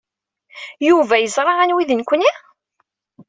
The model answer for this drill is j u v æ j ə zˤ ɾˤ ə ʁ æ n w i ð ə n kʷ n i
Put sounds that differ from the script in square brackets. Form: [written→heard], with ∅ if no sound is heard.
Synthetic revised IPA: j u v æ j ə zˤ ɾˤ [ə→ɑ] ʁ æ n w i ð ə n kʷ n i